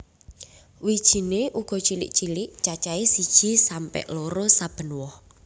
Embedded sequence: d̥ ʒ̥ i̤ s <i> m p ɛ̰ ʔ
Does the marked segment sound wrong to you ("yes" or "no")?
yes